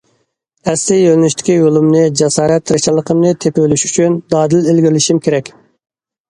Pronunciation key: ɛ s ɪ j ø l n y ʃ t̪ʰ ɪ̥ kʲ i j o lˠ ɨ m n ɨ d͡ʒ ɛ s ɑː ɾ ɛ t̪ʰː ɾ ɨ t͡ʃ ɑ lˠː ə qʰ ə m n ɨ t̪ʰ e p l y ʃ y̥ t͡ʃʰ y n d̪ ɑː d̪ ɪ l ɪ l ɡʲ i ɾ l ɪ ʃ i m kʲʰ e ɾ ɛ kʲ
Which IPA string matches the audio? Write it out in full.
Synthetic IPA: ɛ s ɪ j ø l n y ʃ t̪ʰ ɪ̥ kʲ i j o lˠ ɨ m n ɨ d͡ʒ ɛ s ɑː ɾ ɛ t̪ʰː ɾ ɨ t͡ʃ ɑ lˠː ə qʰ ə m n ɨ t̪ʰ e p l y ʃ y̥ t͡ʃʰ y n d̪ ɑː d̪ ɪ l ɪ l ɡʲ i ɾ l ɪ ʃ i m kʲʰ e ɾ ɛ kʲ